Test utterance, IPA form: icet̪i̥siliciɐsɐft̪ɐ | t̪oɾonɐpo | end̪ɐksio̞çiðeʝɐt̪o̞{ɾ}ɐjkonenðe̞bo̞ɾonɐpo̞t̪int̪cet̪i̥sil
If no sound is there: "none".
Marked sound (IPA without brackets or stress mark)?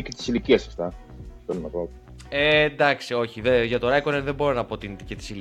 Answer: ɾ